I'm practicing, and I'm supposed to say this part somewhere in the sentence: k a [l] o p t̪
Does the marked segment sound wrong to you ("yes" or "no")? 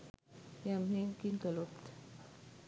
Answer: no